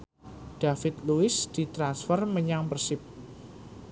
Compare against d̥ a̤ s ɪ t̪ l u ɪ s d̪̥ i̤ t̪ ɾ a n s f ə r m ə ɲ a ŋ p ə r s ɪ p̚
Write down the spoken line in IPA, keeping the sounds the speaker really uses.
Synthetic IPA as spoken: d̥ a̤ f ɪ t̪ l u ɪ s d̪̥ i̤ t̪ ɾ a n s f ə r m ə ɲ a ŋ p ə r s ɪ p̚